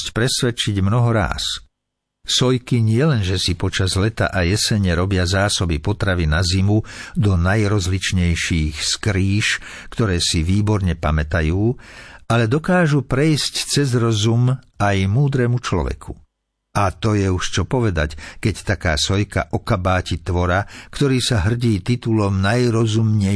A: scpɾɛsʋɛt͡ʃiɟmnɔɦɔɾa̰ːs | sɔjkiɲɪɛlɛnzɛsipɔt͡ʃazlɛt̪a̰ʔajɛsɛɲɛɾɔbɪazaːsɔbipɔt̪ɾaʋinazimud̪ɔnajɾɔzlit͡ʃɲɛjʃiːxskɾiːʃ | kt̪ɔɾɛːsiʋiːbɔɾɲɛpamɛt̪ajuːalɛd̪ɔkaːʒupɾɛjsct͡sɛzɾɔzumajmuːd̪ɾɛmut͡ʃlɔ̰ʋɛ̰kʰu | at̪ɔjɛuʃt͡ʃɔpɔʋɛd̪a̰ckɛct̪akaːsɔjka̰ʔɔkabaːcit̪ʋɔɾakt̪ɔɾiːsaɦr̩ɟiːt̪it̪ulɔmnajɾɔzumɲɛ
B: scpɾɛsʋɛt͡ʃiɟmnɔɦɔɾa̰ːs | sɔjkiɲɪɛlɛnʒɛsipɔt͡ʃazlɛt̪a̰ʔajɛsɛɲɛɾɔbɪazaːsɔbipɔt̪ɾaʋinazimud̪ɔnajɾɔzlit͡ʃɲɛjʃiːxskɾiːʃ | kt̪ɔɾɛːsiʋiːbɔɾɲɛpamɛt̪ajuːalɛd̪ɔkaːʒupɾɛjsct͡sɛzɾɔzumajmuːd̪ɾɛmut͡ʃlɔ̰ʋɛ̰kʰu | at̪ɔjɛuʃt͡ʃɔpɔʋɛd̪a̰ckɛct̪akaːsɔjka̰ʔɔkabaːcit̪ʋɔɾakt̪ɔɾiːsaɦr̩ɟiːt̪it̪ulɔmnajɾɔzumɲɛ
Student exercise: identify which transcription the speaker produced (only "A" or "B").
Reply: B